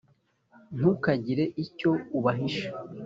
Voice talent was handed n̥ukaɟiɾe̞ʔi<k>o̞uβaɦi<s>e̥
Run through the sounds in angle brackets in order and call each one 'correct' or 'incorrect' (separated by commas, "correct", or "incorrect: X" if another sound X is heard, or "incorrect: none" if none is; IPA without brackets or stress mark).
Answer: incorrect: c, incorrect: ʃ